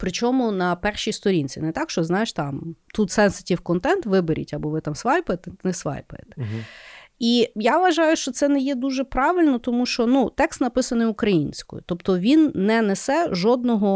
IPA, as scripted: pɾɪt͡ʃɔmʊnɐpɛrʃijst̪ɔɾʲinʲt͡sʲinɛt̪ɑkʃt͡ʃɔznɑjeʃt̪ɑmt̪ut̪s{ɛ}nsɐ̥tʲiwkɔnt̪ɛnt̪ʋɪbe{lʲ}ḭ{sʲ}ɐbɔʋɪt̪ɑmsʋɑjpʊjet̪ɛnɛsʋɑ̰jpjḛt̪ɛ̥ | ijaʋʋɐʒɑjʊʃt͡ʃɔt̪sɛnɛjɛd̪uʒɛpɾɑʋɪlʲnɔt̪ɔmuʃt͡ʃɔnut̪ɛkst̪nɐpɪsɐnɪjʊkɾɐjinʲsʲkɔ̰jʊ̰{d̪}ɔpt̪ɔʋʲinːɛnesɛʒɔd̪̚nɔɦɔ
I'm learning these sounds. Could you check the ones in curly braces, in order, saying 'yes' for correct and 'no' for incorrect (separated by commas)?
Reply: yes, no, no, no